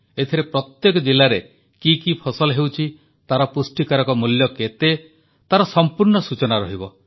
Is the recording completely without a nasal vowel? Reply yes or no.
yes